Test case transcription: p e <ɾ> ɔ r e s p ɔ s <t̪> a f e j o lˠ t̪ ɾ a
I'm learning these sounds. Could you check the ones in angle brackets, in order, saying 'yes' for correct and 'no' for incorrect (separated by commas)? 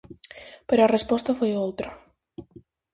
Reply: yes, yes